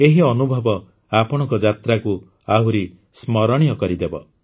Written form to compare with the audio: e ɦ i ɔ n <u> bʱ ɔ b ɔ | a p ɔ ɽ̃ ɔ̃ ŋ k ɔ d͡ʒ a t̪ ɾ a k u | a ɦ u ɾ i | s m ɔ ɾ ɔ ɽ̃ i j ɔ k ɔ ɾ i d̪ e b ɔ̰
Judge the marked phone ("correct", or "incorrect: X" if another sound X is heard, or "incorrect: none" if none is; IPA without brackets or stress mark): correct